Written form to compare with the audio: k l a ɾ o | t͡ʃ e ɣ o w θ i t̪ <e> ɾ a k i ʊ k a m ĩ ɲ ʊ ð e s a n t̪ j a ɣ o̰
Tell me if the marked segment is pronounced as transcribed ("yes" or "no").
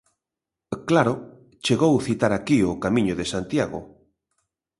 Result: no